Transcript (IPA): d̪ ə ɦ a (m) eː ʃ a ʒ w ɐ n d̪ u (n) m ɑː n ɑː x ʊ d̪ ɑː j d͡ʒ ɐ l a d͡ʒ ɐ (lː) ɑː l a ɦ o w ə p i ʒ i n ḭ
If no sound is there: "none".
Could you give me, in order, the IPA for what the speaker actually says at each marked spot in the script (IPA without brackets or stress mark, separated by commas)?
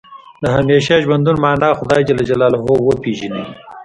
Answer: m, n, l